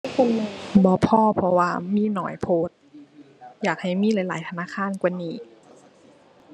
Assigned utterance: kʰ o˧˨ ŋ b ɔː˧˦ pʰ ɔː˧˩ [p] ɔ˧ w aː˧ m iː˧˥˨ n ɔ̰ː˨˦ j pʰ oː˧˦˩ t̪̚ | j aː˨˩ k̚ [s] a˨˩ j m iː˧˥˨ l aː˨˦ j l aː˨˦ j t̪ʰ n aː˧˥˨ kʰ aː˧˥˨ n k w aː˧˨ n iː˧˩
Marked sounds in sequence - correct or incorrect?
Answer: incorrect: pʰ, incorrect: h

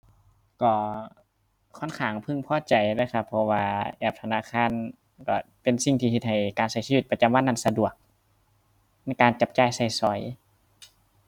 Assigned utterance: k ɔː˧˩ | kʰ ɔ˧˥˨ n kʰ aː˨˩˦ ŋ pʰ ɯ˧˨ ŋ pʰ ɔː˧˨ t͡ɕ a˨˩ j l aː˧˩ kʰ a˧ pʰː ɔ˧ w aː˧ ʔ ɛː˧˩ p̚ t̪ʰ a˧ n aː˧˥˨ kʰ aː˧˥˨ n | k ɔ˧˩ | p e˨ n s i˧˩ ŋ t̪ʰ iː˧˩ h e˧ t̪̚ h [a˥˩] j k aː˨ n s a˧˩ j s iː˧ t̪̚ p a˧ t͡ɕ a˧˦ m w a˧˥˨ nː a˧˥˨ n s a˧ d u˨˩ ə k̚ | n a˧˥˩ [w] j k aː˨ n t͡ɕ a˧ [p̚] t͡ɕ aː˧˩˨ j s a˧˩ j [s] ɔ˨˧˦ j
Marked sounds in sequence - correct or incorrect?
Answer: incorrect: a˨˩, incorrect: none, correct, correct

